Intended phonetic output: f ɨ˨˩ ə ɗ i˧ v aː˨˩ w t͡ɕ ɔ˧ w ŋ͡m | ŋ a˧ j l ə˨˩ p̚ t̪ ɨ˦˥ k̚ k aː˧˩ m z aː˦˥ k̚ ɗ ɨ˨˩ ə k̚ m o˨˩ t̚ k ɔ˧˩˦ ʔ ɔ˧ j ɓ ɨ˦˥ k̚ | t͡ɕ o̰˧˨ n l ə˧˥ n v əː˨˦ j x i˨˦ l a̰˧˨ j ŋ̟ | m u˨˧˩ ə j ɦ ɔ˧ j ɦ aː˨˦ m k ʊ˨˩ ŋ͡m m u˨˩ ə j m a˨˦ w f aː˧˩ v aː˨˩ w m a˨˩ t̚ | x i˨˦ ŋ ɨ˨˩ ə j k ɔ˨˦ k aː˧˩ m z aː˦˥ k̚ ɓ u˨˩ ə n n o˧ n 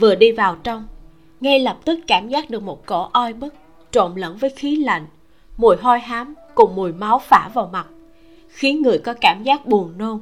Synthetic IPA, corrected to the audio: v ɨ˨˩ ə ɗ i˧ v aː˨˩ w t͡ɕ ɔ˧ w ŋ͡m | ŋ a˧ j l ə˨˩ p̚ t̪ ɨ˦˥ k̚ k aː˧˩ m z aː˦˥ k̚ ɗ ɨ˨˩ ə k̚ m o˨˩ t̚ k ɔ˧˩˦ ʔ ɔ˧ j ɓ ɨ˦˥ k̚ | t͡ɕ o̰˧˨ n l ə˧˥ n v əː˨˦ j x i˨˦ l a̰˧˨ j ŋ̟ | m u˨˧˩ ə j ɦ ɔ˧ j ɦ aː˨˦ m k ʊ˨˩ ŋ͡m m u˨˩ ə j m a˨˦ w f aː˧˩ v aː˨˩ w m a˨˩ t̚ | x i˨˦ ŋ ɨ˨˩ ə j k ɔ˨˦ k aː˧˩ m z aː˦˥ k̚ ɓ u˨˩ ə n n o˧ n